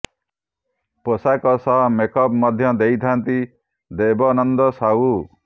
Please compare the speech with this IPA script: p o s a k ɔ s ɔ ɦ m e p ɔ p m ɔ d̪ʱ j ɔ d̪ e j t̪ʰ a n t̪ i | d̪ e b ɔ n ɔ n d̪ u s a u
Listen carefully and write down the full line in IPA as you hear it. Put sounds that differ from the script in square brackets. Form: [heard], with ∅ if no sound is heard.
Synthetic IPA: p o s a k ɔ s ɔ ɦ m e [k] ɔ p m ɔ d̪ʱ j ɔ d̪ e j t̪ʰ a n t̪ i | d̪ e b ɔ n ɔ n d̪ [ɔ] s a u